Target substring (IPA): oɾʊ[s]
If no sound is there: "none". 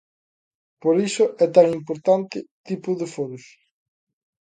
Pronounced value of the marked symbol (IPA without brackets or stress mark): s